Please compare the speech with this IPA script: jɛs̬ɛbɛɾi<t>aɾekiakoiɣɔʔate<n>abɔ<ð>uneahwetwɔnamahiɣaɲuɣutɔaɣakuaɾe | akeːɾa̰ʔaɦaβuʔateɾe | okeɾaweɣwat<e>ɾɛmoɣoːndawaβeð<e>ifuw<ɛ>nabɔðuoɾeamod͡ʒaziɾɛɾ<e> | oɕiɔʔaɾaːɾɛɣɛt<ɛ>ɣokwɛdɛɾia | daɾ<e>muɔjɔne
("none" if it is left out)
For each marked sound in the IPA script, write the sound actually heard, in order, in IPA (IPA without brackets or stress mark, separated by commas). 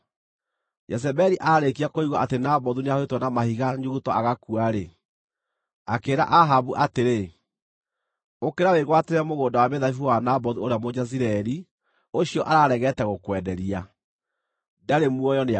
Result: ʔ, n, ð, e, a, a, i, ɛ, e